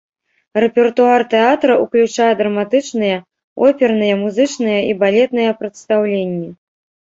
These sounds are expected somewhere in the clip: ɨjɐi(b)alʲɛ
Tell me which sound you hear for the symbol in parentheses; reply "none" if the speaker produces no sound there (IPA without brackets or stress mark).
b